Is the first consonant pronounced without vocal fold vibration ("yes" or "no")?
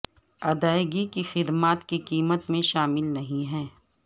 no